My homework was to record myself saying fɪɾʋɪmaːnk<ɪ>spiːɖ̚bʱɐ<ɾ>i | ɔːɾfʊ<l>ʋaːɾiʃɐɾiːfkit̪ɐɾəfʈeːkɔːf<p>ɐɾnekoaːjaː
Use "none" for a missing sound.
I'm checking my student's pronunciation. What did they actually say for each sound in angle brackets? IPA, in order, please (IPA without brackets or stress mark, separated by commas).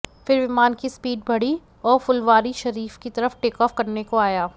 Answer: i, ɽ, l, k